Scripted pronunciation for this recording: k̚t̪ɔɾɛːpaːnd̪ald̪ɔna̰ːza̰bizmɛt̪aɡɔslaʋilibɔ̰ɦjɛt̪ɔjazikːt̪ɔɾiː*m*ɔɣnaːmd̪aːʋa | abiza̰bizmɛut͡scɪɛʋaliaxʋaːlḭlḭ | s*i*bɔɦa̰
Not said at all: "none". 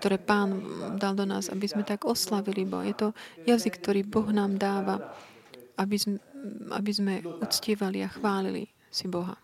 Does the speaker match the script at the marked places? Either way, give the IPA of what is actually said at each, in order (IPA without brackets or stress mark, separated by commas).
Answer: b, i